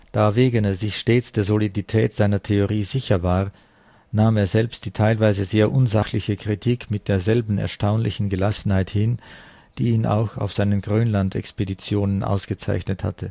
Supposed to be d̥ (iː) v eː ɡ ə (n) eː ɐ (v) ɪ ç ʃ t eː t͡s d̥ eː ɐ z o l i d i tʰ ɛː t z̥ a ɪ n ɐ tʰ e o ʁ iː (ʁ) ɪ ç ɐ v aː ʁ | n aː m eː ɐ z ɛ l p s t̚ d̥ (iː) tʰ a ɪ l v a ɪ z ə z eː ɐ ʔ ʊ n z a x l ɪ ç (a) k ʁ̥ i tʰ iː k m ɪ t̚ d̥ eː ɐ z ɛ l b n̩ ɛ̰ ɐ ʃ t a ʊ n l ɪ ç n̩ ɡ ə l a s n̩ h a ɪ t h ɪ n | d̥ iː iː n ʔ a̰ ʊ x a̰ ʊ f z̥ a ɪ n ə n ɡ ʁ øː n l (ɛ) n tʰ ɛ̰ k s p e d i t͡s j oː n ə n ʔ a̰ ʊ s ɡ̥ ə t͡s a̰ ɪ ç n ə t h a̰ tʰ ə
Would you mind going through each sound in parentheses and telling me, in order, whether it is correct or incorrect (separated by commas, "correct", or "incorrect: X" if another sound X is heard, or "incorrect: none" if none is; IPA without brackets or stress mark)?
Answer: incorrect: aː, correct, incorrect: z, incorrect: z, correct, incorrect: ə, incorrect: a